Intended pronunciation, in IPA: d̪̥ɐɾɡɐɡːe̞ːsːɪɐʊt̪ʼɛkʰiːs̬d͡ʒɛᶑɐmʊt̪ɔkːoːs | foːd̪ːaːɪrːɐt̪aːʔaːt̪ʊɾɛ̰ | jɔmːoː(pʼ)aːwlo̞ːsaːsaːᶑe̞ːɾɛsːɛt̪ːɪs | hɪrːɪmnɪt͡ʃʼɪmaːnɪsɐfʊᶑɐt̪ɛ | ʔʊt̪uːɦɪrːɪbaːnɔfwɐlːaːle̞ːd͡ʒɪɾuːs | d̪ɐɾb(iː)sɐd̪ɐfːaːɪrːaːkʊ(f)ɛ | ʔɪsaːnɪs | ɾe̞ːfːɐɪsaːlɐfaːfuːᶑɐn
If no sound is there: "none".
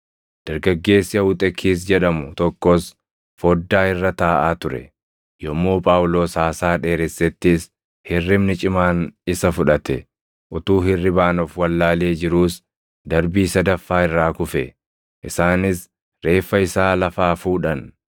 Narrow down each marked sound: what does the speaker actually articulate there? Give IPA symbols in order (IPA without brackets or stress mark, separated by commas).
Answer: pʼ, iː, f